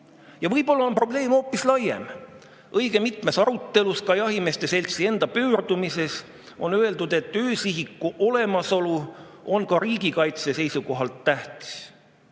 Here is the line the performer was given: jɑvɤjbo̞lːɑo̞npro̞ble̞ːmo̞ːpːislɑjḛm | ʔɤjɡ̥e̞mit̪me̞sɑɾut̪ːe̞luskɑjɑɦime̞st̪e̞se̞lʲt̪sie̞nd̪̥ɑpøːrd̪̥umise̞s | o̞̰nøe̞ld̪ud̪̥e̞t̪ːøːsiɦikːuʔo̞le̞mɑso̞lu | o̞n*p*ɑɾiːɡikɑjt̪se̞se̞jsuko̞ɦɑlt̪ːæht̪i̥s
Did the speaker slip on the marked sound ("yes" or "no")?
yes